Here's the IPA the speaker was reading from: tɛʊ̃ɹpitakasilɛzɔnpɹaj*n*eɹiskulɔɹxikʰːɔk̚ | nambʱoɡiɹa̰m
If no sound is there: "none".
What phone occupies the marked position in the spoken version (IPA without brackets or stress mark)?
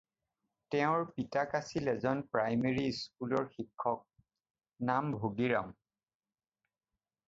m